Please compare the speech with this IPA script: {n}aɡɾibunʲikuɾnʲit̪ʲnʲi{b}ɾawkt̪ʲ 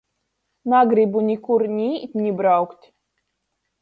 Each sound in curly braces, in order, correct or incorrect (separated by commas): correct, correct